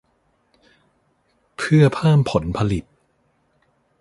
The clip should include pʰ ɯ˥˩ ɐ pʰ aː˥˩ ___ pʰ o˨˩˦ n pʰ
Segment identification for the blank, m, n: m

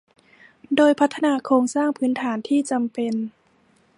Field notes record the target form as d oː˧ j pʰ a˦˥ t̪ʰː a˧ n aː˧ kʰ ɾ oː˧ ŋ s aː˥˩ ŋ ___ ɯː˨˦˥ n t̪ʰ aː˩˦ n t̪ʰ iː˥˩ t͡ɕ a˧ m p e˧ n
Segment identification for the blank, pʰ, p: pʰ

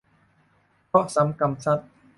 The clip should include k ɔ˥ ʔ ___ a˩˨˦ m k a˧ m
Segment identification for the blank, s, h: s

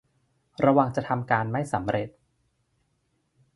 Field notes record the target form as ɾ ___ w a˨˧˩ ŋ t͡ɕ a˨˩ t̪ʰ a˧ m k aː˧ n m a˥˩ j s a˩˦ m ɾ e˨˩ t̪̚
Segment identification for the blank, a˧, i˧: a˧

